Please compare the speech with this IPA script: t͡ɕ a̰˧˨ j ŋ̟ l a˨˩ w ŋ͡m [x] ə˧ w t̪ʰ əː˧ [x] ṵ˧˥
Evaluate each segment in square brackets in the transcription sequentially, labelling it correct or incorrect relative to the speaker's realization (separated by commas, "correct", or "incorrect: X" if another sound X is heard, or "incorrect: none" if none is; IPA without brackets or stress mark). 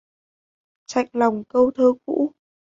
incorrect: k, incorrect: k